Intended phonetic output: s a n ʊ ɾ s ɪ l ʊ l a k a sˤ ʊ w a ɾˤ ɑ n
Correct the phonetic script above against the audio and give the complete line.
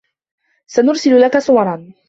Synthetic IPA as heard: s a n ʊ ɾ s ɪ l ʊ l a k a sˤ ʊ w ɑ ɾˤ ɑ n